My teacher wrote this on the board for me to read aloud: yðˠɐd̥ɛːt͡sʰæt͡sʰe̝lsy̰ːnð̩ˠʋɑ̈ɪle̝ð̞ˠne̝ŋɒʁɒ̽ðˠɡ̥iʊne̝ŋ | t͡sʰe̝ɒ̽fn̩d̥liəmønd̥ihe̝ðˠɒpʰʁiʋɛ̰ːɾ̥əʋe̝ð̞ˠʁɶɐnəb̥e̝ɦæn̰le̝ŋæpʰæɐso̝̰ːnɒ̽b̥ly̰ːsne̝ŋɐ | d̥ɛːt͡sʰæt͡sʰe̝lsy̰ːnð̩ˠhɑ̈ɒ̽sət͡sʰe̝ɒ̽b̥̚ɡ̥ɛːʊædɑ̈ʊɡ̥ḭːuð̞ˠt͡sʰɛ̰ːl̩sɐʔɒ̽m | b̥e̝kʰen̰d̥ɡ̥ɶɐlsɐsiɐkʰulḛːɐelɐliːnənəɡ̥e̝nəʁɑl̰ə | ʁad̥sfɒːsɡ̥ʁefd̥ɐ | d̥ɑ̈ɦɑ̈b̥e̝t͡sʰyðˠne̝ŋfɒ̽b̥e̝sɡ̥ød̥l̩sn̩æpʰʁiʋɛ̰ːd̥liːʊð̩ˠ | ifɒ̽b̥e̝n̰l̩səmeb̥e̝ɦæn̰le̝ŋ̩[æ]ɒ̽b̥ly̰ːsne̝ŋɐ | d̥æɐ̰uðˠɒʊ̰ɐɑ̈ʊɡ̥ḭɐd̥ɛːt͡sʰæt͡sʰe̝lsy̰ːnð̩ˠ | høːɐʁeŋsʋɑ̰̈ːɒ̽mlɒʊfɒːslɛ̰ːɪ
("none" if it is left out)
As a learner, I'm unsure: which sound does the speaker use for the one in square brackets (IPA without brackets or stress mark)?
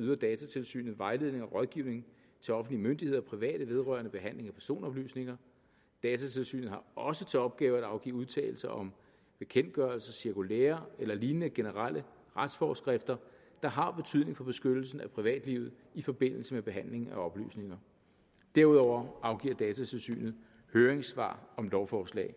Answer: æ